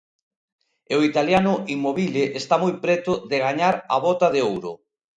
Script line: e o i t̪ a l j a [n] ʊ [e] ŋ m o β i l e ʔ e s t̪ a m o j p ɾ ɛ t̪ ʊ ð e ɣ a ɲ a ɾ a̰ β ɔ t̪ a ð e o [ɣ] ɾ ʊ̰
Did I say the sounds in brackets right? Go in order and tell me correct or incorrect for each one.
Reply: correct, incorrect: i, incorrect: w

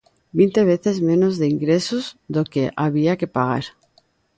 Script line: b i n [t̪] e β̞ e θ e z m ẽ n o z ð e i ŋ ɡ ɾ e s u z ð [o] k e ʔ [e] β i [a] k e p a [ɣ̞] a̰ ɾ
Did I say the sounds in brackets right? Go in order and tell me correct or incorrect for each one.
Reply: correct, correct, incorrect: a, correct, correct

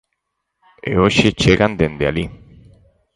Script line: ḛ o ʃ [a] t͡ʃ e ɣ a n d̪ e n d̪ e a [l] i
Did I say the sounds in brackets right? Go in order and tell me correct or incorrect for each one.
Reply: incorrect: e, correct

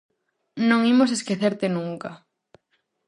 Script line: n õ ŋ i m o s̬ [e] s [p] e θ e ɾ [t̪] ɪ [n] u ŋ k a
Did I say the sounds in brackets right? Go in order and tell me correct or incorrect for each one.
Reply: correct, incorrect: k, correct, correct

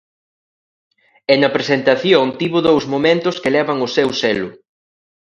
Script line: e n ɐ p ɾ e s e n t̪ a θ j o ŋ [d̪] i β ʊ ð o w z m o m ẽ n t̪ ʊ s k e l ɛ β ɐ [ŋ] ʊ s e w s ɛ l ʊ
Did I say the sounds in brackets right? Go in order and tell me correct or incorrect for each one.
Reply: incorrect: t̪, correct

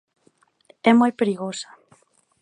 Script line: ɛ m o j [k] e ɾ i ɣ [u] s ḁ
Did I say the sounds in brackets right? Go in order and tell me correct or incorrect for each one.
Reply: incorrect: p, incorrect: o

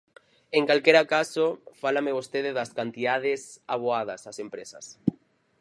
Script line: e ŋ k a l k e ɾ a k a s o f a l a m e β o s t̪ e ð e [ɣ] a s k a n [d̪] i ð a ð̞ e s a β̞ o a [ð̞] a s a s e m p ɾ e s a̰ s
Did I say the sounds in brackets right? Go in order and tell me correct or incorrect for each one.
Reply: incorrect: ð, incorrect: t̪, correct

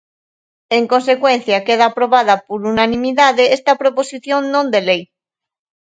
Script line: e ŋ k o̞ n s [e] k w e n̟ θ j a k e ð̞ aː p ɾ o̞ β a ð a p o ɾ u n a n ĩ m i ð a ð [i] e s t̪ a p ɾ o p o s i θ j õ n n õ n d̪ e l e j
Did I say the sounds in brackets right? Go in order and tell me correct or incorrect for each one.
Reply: correct, incorrect: e

